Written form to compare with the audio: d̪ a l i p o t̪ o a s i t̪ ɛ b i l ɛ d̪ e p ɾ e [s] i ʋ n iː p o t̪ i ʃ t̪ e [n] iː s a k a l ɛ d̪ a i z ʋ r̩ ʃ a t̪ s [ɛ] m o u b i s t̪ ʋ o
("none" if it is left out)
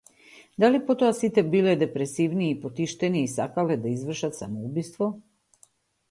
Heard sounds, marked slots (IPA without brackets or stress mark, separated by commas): s, n, a